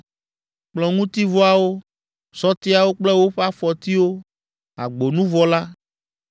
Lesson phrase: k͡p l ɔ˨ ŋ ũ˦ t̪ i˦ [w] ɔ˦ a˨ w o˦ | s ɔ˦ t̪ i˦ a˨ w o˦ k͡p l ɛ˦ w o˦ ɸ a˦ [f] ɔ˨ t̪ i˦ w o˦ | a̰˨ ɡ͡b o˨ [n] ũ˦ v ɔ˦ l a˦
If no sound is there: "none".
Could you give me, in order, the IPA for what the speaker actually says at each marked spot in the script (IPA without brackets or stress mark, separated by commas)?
v, f, n